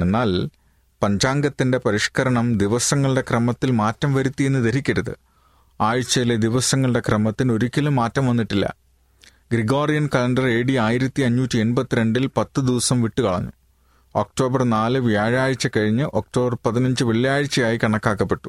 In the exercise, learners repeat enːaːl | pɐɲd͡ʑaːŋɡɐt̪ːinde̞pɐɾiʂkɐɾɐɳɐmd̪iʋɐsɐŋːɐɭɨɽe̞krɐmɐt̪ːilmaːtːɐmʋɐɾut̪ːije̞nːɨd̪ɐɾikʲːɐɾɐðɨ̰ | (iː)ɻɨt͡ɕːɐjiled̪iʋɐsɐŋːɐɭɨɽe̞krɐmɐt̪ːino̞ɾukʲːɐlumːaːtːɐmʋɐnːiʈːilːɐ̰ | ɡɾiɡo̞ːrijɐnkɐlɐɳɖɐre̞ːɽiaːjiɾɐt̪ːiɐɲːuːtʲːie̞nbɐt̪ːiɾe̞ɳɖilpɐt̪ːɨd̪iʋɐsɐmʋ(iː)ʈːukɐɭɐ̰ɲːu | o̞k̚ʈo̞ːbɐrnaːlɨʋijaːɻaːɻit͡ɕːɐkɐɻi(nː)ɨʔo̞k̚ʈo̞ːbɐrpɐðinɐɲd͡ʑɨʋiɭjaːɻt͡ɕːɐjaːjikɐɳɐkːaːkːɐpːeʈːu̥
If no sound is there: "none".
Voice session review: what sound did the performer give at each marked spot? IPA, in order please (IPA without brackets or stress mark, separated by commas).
aː, i, ɲː